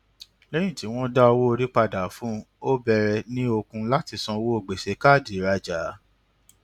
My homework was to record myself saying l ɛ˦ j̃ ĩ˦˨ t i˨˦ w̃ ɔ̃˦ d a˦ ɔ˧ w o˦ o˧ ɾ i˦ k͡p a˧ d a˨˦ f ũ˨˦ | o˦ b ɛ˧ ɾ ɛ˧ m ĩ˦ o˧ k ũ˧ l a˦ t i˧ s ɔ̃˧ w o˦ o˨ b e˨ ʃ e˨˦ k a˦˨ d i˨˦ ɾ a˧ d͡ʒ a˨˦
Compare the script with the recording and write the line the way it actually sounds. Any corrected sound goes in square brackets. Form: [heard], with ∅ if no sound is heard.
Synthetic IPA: l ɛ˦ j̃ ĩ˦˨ t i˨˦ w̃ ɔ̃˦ d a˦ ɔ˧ w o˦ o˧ ɾ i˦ k͡p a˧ d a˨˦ f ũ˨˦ | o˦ b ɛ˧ ɾ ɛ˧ [n] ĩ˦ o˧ k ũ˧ l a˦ t i˧ s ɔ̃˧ w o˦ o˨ [ɡ͡b] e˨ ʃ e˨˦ k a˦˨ d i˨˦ ɾ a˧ d͡ʒ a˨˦